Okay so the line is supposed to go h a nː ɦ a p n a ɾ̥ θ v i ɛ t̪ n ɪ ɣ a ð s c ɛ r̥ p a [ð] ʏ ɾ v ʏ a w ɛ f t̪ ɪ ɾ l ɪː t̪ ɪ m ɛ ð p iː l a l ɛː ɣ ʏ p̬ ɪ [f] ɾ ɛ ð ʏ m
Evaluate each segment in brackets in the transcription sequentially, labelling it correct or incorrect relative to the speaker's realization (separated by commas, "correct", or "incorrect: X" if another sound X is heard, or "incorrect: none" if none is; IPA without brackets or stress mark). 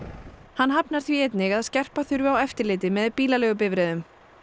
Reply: incorrect: θ, incorrect: v